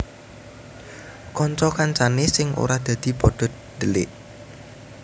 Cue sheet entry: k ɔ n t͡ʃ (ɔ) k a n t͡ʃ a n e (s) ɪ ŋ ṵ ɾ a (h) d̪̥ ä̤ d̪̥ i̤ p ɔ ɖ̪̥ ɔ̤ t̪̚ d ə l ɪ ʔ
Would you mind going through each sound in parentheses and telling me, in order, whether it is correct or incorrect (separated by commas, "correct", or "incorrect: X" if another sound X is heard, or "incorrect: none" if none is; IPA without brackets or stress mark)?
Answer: correct, correct, correct